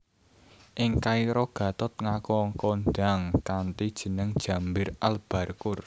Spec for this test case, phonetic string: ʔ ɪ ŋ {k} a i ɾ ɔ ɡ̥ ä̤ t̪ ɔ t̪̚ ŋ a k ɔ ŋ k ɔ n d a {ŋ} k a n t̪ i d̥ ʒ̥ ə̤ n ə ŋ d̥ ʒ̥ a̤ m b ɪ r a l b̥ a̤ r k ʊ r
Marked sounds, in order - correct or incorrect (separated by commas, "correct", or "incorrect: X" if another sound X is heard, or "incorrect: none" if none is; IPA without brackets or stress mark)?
correct, correct